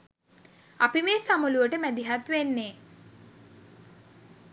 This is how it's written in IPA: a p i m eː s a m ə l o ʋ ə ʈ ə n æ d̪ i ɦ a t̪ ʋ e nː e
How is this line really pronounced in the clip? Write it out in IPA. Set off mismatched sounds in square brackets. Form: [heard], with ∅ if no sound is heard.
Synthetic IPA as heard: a p i m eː s a m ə l [u] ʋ ə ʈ ə [m] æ d̪ i ɦ a t̪ ʋ e nː e